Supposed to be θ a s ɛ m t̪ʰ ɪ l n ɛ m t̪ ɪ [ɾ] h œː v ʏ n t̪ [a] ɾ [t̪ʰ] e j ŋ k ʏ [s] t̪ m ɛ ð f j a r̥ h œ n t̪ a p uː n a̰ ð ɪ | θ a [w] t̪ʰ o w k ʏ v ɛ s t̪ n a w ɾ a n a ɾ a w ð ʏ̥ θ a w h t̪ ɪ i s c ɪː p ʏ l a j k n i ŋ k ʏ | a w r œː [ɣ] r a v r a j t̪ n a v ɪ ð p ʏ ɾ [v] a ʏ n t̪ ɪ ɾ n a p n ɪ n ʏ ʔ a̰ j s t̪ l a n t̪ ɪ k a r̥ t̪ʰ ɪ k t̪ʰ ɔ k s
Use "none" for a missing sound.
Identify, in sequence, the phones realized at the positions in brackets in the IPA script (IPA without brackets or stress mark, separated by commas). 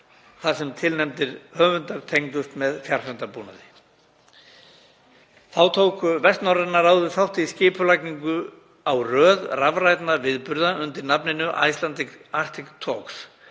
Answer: ɾ, a, t̪ʰ, s, w, ð, ð